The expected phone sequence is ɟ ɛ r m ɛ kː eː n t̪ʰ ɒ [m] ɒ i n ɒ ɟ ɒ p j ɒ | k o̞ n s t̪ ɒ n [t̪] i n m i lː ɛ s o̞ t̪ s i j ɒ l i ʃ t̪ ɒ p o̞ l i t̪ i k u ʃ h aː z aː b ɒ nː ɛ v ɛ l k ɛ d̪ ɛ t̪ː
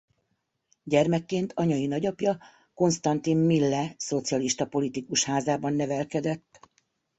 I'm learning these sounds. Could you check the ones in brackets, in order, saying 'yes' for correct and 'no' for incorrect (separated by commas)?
no, yes